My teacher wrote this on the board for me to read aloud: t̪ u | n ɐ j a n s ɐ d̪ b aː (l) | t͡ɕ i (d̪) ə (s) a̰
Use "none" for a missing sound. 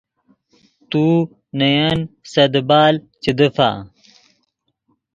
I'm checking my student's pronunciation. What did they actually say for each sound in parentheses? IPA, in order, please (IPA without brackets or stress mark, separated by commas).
l, d̪, f